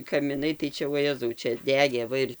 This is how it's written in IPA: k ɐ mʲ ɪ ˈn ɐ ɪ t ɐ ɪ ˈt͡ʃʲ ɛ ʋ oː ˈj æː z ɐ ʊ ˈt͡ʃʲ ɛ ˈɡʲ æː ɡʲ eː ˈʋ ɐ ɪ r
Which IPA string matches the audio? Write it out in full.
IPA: k ɐ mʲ ɪ ˈn ɐ ɪ t ɐ ɪ ˈt͡ʃʲ ɛ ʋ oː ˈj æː z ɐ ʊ ˈt͡ʃʲ ɛ ˈdʲ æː ɡʲ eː ˈʋ ɐ ɪ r